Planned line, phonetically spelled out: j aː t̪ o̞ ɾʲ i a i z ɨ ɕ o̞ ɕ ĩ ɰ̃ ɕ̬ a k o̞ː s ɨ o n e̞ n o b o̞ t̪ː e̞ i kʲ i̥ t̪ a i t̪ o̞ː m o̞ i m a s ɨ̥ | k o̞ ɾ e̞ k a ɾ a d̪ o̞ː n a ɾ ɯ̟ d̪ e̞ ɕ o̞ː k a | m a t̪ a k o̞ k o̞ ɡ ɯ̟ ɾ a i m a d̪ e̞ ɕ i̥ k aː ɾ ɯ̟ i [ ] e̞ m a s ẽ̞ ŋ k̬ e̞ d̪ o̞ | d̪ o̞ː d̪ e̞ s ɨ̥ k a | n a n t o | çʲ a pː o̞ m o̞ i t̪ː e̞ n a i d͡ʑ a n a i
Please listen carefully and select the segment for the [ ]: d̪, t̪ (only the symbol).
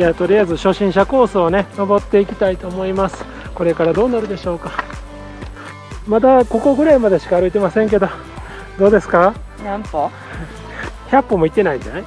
t̪